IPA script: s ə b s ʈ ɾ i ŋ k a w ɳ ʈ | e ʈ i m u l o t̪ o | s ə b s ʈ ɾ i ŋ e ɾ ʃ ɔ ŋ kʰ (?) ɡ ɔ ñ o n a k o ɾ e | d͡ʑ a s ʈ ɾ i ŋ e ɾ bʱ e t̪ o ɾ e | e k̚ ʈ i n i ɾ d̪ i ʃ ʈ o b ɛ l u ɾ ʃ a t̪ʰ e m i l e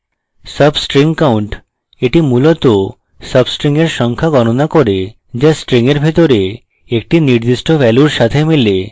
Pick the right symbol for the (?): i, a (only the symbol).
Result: a